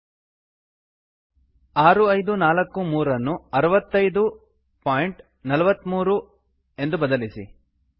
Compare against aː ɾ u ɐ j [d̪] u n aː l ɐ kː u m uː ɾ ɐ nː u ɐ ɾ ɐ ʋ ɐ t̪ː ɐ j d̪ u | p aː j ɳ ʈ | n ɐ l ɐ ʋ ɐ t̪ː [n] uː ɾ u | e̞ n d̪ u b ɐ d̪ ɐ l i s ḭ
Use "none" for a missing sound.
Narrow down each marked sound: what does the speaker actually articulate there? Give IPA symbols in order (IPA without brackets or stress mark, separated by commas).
d̪, m